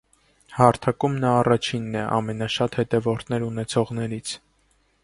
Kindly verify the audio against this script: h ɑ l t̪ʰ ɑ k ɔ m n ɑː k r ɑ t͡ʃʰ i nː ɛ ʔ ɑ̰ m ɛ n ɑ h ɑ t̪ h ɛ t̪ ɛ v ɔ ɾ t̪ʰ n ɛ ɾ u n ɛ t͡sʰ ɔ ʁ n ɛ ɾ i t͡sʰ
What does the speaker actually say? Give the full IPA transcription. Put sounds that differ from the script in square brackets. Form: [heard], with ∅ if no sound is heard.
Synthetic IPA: h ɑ [ɾ] t̪ʰ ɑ k [u] m n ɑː [∅] r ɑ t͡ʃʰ i nː ɛ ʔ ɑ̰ m ɛ n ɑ [ʃ] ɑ t̪ h ɛ t̪ ɛ v ɔ ɾ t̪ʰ n ɛ ɾ u n ɛ t͡sʰ ɔ ʁ n ɛ ɾ i t͡sʰ

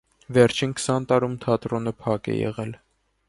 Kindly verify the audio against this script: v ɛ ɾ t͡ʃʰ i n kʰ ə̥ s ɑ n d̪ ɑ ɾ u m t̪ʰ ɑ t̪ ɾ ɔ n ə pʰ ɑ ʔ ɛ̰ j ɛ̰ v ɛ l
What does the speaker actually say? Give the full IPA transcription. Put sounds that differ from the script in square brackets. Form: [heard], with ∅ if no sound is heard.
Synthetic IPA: v ɛ ɾ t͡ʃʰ i n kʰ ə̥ s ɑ n [t̪] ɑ ɾ u m t̪ʰ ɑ t̪ ɾ ɔ n ə pʰ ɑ [k] ɛ̰ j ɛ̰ [ʁ] ɛ l

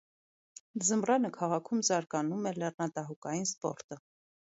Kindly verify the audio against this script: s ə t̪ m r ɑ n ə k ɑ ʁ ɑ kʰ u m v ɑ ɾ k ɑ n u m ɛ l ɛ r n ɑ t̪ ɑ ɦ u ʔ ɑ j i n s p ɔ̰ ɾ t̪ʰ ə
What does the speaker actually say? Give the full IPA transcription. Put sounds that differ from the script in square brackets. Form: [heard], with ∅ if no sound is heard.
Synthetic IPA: [z] ə [∅] m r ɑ n ə [kʰ] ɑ ʁ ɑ kʰ u m [z] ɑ ɾ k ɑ n u m ɛ l ɛ r n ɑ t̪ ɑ ɦ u [k] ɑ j i n s p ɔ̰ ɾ [t̪] ə

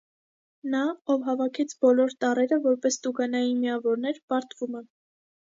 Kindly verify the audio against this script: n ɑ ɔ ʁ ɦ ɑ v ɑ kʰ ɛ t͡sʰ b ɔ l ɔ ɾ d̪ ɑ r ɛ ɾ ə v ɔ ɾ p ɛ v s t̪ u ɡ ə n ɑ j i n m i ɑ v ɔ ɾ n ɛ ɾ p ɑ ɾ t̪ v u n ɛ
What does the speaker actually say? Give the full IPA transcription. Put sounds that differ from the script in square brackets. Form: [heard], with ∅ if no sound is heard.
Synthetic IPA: n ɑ ɔ [v] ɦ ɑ v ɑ kʰ ɛ t͡sʰ b ɔ l ɔ ɾ [t̪] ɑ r ɛ ɾ ə v ɔ ɾ p ɛ [∅] s t̪ u ɡ [ɑ] n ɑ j i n m i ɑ v ɔ ɾ n ɛ ɾ p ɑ ɾ t̪ v u [m] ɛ

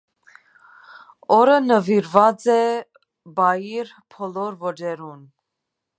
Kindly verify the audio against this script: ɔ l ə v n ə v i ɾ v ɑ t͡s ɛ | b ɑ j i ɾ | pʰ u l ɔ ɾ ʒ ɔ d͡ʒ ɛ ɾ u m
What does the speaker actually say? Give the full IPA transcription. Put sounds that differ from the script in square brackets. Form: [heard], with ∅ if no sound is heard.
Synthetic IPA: ɔ [ɾ] ə [∅] n ə v i ɾ v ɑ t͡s ɛ | b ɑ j i ɾ | pʰ [ɔ] l ɔ ɾ [v] ɔ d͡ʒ ɛ ɾ u [n]

